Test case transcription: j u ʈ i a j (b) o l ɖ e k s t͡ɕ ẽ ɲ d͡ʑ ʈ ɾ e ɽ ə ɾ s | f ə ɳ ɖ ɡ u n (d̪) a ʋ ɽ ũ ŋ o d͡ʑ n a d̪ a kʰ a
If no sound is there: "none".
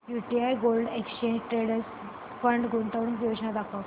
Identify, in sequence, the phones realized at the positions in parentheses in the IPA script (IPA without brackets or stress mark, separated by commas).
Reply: ɡ, t̪